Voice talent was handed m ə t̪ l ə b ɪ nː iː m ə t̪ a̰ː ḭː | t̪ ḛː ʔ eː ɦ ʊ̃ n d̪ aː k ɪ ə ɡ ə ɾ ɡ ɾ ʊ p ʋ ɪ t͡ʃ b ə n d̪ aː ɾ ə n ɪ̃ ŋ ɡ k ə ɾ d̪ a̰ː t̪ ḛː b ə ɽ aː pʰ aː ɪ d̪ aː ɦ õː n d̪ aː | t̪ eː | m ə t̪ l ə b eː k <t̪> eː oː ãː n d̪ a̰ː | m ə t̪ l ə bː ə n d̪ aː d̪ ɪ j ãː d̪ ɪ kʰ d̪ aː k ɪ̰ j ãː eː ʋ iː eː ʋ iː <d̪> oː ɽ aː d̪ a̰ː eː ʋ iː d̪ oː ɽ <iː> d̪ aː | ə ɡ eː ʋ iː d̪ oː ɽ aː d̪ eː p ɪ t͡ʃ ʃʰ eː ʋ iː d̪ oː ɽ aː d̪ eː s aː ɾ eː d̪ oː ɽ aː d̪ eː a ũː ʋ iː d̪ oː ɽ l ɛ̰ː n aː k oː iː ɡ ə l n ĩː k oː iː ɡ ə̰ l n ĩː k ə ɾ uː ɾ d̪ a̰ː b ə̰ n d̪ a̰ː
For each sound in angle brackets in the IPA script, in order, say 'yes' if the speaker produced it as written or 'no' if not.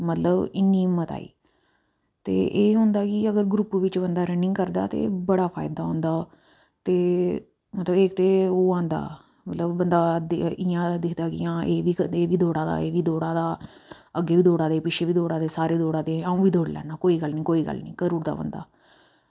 yes, yes, no

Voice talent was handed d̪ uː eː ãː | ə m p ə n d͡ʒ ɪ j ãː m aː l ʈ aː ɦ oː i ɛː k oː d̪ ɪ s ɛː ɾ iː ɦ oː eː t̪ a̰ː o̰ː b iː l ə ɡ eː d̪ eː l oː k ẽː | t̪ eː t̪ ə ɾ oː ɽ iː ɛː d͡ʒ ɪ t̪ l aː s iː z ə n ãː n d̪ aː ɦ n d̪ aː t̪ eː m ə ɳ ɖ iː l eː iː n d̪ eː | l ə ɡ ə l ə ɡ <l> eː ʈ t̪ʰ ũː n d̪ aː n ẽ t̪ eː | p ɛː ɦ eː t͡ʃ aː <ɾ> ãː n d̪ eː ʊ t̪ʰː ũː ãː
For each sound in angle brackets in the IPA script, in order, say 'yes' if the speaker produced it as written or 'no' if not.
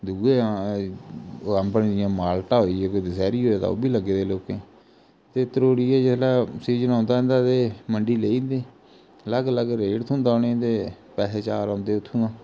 no, yes

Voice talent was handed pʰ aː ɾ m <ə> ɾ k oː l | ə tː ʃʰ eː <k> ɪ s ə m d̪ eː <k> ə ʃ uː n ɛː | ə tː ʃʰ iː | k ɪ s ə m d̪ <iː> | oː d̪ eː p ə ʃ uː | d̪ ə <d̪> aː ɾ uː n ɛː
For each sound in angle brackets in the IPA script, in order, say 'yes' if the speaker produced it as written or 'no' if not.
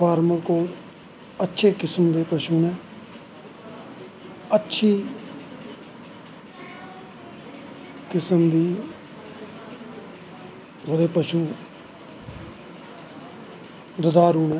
yes, yes, no, yes, yes

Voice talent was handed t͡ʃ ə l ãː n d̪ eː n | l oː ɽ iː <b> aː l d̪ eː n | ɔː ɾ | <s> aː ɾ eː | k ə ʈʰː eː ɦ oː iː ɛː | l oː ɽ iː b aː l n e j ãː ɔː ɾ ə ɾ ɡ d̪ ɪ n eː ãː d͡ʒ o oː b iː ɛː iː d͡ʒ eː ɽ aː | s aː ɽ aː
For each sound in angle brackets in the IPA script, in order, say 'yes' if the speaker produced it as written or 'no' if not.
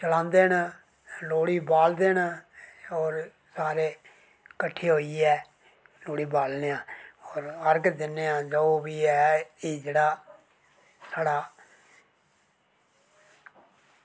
yes, yes

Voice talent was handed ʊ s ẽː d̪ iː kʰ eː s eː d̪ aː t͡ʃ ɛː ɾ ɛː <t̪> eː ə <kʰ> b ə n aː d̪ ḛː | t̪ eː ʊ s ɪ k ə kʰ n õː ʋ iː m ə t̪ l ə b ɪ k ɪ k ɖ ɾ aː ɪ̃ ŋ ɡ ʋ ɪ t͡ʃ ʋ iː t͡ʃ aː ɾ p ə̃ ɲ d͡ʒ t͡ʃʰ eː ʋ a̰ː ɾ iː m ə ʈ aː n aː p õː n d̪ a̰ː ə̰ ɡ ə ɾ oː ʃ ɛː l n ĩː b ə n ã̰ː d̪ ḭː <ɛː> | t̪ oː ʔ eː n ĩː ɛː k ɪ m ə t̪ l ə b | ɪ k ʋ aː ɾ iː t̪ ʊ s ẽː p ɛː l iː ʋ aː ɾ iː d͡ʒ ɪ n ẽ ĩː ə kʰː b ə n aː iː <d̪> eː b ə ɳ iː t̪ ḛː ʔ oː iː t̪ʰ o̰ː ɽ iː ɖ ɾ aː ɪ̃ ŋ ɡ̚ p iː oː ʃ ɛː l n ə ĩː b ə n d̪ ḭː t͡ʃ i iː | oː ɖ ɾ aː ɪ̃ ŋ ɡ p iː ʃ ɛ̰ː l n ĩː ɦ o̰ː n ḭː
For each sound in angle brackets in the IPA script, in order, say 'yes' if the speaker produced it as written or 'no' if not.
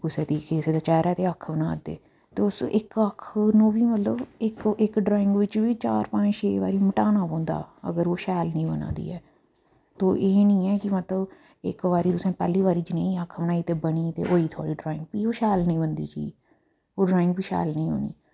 yes, yes, yes, no

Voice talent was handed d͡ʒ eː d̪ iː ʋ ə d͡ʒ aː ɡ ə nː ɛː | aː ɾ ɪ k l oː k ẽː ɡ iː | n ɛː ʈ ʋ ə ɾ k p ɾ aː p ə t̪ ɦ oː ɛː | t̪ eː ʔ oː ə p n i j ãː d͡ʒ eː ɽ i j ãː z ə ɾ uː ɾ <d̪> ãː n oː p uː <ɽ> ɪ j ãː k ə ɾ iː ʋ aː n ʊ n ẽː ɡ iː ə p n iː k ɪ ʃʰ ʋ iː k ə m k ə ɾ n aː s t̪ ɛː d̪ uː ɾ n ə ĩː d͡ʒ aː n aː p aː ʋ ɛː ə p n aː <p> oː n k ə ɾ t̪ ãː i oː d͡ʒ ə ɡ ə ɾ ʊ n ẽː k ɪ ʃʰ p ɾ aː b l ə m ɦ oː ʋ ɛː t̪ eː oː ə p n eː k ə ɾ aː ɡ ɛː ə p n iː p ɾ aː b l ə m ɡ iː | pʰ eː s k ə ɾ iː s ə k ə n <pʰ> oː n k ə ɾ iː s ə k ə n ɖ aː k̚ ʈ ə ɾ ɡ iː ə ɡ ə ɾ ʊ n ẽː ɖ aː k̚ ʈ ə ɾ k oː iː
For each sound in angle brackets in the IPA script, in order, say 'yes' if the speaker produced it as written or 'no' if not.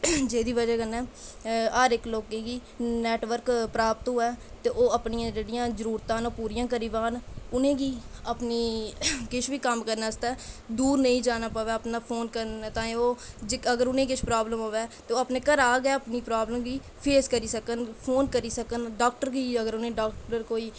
no, no, no, yes

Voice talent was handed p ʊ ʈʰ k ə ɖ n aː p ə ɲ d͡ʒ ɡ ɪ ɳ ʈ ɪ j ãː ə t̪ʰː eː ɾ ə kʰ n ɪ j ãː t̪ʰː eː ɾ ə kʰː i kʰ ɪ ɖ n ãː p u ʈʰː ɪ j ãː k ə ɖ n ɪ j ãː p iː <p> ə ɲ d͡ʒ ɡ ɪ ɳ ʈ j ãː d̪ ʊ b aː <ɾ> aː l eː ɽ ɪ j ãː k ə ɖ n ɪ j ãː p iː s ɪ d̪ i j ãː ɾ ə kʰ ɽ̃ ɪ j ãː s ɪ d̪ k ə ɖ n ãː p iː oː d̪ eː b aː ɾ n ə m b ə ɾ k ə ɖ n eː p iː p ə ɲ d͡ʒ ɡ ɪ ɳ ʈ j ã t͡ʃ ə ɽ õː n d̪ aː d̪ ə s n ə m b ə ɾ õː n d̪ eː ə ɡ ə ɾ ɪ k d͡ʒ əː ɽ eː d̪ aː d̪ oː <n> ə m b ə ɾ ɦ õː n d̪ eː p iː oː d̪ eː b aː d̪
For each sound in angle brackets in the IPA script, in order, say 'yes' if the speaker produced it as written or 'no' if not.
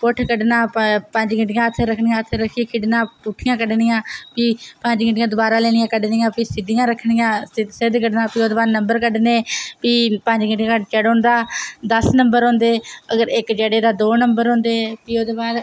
yes, yes, yes

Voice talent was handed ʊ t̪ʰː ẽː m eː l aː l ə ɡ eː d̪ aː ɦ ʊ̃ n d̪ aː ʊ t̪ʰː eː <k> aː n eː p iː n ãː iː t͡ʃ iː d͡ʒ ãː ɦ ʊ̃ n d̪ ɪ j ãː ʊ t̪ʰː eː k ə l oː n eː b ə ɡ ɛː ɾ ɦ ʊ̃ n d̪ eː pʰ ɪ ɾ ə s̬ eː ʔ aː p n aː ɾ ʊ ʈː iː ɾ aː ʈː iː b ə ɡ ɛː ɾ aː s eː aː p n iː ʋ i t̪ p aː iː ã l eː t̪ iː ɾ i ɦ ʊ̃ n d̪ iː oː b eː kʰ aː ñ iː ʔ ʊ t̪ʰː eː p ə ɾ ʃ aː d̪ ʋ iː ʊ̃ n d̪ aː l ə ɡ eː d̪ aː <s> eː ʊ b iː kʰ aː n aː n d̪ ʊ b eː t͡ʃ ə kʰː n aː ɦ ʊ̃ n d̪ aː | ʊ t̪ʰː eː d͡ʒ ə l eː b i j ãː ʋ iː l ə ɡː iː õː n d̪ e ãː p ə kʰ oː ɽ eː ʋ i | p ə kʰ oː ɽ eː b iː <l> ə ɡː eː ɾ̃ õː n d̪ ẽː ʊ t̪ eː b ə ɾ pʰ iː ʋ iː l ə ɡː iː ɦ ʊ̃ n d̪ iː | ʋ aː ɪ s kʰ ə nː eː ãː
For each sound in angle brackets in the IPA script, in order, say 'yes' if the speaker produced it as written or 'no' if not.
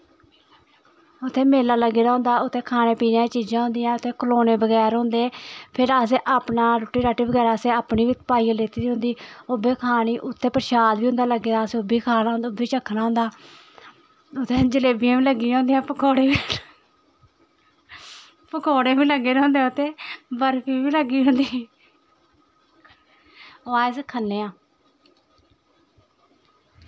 no, yes, yes

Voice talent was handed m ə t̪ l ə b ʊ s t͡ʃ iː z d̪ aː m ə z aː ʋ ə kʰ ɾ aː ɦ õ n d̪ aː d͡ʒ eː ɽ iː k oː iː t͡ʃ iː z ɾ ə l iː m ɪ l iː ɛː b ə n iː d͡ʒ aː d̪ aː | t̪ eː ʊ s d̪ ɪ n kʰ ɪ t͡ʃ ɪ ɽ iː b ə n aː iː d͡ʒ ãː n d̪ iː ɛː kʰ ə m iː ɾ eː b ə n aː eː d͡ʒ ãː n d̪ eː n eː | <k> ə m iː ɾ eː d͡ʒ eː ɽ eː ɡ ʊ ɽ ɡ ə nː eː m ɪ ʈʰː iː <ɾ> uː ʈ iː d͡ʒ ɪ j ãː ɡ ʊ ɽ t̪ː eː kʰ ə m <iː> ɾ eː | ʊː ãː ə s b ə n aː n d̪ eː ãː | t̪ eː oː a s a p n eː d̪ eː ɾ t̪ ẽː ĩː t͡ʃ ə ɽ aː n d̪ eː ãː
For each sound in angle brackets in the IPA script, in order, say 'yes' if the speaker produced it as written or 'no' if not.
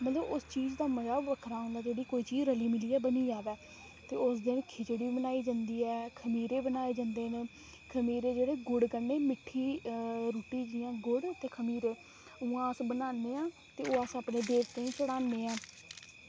no, yes, yes

